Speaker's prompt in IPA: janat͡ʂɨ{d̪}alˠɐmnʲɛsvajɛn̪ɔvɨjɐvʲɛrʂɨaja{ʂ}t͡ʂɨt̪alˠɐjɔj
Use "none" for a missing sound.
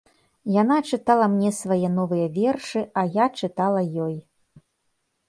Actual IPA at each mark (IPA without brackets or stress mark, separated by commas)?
t̪, none